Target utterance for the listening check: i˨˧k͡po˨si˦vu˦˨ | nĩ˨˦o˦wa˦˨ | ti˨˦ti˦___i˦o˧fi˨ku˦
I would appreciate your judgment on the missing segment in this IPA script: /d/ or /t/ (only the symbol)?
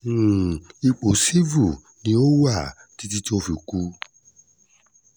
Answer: t